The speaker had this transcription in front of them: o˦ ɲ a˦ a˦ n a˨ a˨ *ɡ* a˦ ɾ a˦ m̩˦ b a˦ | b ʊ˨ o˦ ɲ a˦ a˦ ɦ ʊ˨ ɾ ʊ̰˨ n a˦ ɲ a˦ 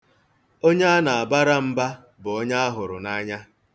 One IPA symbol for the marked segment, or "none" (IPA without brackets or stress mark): b